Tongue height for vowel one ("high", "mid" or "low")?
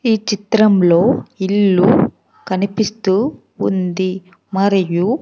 high